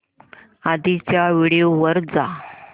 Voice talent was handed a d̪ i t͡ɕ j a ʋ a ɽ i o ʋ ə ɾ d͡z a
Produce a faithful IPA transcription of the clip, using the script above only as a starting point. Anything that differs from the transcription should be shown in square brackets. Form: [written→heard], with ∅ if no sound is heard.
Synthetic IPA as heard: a d̪ i t͡ɕ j a ʋ [a→i] ɽ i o ʋ ə ɾ d͡z a